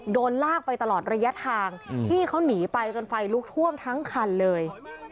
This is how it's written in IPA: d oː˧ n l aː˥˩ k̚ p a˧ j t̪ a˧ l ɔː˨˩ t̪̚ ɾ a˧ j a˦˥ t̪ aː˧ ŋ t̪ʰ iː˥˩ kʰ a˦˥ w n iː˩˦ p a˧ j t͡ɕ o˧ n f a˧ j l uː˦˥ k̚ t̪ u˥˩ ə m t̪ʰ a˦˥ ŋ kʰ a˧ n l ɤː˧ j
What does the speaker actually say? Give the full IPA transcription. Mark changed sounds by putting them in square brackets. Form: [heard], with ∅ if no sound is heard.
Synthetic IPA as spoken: d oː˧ n l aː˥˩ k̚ p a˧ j t̪ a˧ l ɔː˨˩ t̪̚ ɾ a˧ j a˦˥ [t̪ʰ] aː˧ ŋ t̪ʰ iː˥˩ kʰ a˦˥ w n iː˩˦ p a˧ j t͡ɕ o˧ n f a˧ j l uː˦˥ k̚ [t̪ʰ] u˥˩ ə m t̪ʰ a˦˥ ŋ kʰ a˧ n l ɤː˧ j